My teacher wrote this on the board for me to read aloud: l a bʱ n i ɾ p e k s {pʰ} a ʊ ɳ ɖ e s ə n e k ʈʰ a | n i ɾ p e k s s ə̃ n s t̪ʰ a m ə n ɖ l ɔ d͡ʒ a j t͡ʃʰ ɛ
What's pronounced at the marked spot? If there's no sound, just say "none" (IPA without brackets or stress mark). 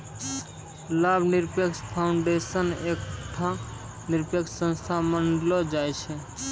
pʰ